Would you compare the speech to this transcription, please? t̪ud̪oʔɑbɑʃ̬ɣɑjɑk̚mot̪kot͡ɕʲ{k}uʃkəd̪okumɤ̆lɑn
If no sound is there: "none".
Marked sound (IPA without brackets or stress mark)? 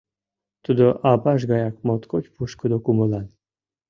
p